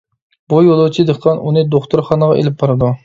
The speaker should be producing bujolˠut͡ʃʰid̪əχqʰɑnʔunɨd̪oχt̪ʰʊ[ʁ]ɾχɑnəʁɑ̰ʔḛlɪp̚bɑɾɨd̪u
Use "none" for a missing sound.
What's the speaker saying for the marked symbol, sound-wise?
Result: none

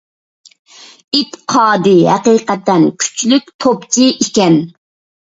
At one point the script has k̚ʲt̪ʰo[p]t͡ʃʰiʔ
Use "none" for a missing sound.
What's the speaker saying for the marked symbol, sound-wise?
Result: p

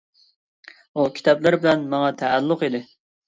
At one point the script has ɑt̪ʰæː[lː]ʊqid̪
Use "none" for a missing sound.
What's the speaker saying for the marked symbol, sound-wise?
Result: lː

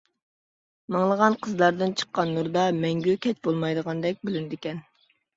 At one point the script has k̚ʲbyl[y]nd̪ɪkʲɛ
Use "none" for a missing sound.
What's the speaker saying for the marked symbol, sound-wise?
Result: y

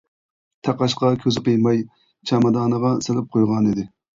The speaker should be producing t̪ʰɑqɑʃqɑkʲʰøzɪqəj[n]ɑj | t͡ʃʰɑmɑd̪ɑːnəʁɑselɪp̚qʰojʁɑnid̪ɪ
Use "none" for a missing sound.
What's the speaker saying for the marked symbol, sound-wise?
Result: m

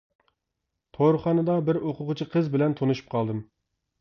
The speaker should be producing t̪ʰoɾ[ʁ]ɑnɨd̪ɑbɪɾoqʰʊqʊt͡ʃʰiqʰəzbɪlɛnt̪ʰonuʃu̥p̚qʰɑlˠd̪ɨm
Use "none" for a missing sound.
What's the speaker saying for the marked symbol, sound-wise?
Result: χ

